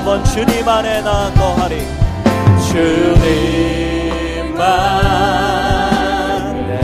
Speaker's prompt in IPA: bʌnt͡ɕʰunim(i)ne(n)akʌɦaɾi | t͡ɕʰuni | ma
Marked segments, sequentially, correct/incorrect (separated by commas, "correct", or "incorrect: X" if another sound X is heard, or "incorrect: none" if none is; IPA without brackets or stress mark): incorrect: a, correct